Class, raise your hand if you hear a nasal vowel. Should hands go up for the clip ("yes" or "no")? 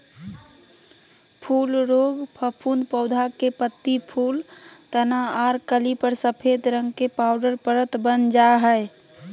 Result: no